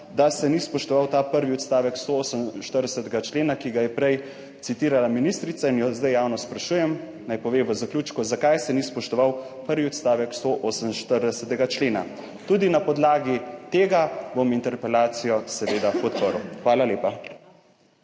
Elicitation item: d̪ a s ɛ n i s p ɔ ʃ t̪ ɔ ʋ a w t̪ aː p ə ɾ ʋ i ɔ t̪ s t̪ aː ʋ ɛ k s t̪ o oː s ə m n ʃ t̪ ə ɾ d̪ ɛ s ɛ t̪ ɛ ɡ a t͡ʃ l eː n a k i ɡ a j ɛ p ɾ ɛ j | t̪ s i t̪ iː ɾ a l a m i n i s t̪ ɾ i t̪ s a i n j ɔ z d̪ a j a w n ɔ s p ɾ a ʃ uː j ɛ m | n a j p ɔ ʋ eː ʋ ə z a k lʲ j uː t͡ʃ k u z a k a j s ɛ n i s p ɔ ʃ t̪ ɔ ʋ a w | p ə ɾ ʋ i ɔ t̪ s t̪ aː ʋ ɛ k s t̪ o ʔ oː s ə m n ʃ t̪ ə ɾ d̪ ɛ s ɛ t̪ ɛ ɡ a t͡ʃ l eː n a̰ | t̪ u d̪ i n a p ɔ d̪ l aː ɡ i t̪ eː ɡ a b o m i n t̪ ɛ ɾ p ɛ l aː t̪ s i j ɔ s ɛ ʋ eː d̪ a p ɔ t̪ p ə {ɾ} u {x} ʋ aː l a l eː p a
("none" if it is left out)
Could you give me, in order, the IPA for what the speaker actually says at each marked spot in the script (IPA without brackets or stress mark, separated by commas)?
ɾ, x